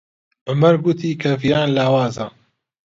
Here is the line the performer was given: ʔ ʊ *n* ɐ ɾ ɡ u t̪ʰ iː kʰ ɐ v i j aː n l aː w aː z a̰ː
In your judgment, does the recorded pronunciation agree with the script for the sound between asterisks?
no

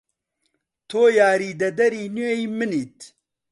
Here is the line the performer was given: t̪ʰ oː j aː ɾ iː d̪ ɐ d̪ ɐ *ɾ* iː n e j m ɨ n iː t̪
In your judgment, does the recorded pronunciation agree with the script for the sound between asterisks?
yes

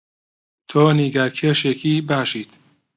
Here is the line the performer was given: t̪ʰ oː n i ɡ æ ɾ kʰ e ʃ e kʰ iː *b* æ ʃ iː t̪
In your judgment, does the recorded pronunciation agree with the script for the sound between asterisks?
yes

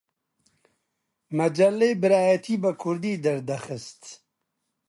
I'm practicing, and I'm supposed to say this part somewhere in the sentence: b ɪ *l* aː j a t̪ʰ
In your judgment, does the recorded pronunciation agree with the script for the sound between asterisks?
no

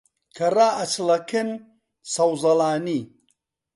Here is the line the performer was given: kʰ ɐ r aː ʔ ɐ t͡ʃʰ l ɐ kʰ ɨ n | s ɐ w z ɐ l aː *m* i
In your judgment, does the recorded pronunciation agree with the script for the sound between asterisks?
no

